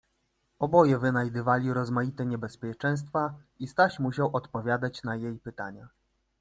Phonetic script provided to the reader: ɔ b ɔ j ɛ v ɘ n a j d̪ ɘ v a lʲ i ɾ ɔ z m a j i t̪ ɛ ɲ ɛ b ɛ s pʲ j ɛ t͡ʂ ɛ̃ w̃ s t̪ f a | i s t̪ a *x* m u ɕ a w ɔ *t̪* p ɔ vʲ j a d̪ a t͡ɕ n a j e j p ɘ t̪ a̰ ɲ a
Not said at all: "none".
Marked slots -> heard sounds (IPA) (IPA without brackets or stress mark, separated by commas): ɕ, t̪